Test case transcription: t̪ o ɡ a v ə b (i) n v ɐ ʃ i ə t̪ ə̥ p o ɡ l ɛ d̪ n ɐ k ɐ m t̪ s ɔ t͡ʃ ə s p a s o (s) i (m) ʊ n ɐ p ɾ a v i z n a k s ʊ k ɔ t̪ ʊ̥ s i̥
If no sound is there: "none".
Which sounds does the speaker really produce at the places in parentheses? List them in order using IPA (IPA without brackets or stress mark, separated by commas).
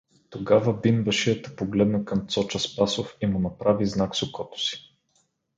i, f, m